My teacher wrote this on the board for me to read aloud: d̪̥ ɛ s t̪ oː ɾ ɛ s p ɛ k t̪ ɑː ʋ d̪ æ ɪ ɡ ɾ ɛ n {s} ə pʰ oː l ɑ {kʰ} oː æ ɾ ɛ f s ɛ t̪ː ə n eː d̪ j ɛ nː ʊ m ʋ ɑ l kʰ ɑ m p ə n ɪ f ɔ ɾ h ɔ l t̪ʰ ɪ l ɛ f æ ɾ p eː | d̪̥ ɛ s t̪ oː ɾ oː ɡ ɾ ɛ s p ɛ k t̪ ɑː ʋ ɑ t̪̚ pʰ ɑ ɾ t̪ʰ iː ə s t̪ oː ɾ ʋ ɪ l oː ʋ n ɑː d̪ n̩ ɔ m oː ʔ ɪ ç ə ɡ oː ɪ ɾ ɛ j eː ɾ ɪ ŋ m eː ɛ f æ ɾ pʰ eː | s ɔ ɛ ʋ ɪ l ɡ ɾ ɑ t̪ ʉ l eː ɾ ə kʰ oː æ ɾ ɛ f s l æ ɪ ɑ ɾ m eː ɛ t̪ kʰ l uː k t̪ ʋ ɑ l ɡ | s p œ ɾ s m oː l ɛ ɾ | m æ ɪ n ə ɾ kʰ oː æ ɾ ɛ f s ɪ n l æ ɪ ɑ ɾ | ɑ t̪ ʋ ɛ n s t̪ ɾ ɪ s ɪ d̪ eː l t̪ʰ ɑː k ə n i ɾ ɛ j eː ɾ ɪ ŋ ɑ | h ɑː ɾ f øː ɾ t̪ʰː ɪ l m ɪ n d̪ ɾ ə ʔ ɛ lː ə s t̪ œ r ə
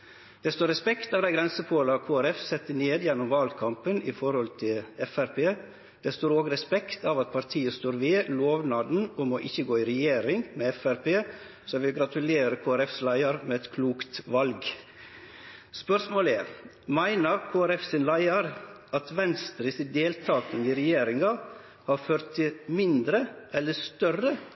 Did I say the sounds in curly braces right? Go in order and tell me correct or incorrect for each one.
correct, correct

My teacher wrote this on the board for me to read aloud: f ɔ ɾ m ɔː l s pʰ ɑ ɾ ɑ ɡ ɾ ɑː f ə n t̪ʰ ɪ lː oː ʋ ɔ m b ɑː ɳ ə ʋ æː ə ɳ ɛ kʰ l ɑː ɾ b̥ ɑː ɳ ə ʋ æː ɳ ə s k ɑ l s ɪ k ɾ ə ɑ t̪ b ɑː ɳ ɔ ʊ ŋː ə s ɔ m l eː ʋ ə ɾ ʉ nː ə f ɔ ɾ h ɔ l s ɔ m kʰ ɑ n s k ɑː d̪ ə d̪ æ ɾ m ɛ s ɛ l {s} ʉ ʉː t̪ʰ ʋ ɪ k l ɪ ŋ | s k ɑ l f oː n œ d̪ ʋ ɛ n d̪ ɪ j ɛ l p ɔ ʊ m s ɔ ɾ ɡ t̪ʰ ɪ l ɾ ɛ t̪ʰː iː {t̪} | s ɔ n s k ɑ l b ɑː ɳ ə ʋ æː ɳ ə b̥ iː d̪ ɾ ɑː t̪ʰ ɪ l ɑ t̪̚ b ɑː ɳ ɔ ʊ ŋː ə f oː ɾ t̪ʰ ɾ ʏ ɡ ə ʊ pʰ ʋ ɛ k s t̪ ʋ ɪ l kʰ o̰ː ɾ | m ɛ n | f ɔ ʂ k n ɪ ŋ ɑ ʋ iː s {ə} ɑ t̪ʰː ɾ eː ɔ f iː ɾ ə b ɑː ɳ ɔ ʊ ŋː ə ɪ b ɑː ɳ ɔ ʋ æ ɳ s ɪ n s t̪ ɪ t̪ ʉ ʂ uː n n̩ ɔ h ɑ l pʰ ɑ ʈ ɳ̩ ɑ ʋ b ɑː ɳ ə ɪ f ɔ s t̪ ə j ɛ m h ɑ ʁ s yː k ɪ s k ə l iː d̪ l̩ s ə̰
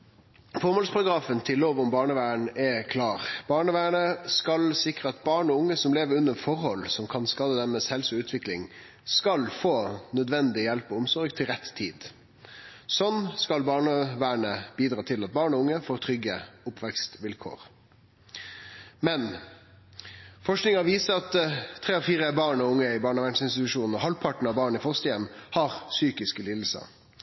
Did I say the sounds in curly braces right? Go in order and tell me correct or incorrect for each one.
correct, incorrect: d̪, correct

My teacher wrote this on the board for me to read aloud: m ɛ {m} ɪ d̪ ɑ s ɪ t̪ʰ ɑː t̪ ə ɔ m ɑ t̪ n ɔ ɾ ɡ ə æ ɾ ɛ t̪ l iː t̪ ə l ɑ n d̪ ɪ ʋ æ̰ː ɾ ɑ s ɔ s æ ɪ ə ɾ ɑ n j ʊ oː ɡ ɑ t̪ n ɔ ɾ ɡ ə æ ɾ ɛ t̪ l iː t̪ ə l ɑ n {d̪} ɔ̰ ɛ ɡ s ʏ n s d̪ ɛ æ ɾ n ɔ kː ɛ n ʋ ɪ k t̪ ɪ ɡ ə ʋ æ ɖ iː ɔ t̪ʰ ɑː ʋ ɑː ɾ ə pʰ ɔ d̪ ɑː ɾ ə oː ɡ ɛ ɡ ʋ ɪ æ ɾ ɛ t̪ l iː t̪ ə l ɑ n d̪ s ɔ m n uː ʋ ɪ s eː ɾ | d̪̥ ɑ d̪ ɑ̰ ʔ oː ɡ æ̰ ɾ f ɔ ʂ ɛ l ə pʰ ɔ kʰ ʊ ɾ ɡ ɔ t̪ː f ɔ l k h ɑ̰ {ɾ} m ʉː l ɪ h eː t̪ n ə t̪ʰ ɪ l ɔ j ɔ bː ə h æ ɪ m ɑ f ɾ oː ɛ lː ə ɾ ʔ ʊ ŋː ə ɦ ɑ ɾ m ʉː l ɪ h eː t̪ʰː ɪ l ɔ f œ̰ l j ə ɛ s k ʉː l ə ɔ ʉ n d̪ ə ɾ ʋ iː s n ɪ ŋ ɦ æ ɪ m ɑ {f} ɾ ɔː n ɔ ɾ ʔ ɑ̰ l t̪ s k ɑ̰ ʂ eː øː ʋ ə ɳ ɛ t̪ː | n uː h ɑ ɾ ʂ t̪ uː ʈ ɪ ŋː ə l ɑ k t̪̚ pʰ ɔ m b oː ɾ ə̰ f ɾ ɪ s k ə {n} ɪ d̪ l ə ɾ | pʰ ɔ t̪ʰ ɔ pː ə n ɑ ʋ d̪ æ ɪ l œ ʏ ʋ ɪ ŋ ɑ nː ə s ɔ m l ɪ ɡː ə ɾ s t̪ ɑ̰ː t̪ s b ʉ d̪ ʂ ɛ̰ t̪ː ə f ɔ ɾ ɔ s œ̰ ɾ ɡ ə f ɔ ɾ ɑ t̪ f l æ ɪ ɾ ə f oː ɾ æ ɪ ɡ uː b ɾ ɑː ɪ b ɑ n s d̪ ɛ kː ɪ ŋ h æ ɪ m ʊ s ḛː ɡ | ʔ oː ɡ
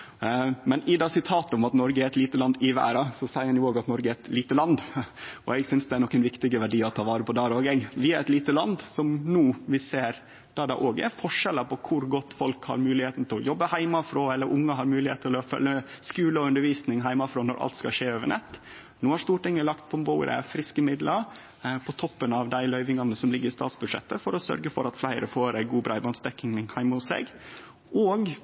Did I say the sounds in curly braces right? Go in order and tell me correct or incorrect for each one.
incorrect: n, correct, correct, correct, incorrect: m

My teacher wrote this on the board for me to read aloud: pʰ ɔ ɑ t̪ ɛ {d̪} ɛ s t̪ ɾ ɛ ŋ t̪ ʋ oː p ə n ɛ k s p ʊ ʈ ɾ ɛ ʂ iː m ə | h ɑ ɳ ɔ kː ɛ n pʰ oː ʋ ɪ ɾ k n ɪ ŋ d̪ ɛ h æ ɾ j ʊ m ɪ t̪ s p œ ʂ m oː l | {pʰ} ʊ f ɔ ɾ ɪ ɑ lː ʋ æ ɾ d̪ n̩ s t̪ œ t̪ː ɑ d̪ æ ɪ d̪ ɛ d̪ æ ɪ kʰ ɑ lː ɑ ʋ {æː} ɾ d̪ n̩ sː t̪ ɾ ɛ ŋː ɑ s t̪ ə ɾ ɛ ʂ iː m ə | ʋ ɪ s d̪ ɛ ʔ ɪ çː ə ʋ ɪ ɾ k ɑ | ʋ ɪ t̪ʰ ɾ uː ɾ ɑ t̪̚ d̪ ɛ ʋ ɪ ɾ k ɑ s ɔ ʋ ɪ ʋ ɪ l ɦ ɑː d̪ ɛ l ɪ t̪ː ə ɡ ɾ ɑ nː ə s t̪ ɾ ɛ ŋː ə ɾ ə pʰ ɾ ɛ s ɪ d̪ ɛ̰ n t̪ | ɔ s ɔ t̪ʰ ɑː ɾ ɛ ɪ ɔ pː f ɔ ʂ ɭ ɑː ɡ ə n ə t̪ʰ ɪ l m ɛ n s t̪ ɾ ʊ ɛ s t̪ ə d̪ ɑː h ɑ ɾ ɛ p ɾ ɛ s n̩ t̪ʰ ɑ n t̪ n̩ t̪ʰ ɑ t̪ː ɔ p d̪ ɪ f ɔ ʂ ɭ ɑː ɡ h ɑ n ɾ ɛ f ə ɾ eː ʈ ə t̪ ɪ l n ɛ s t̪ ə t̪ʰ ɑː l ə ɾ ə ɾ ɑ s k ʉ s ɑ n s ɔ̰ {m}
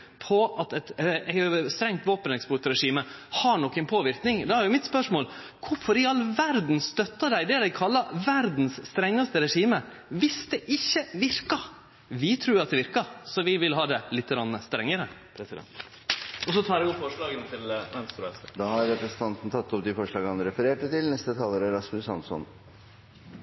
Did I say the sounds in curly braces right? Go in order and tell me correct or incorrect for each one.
incorrect: t̪, incorrect: kʰ, incorrect: æ, incorrect: n

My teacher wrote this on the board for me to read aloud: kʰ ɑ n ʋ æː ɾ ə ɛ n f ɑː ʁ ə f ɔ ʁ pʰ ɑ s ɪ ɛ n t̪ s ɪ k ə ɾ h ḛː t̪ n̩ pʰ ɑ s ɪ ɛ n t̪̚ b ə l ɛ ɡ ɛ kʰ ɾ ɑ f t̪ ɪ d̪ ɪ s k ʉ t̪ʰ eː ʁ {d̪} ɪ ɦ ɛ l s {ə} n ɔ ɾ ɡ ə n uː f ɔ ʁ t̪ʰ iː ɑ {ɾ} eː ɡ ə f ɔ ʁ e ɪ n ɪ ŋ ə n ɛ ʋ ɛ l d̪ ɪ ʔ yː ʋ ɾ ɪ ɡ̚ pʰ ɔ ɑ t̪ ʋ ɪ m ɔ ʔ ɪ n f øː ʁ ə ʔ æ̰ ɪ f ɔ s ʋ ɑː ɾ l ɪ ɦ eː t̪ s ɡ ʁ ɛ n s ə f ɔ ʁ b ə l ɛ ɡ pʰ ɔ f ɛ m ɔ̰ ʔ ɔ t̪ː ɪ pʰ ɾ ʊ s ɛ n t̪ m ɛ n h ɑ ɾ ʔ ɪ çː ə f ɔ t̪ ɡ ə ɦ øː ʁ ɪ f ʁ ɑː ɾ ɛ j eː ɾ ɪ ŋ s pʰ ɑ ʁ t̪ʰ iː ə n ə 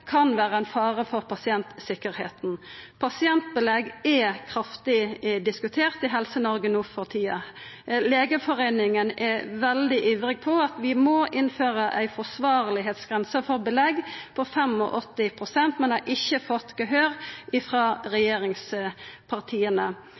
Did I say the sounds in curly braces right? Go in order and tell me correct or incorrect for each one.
incorrect: t̪, correct, incorrect: l

